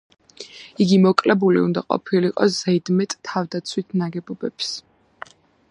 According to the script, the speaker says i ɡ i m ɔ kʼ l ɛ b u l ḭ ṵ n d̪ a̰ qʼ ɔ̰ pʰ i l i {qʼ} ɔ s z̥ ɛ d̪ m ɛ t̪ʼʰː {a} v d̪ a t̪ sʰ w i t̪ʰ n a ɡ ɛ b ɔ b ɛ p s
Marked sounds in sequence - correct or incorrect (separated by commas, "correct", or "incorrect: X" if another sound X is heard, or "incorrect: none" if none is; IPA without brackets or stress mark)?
correct, correct